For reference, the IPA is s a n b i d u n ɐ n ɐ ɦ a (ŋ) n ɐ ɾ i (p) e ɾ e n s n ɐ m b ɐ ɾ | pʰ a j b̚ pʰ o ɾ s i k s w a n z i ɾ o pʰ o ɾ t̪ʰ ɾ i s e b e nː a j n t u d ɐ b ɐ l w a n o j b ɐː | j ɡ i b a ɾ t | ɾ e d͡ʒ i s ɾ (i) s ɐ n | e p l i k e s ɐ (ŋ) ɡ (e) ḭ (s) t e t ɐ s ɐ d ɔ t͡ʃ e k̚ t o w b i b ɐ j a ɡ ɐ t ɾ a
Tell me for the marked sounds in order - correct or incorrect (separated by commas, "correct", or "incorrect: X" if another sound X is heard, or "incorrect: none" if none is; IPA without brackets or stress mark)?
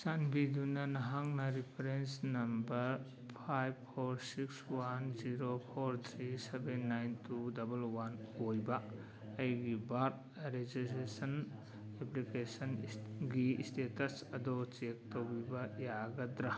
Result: correct, incorrect: pʰ, incorrect: e, incorrect: n, incorrect: i, correct